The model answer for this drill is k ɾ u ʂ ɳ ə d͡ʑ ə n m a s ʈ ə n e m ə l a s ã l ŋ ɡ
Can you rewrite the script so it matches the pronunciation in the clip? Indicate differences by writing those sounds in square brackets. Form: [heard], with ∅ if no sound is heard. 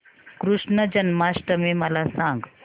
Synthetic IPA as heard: k ɾ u ʂ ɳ ə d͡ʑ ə n m a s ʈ ə [m] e m ə l a s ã [∅] ŋ ɡ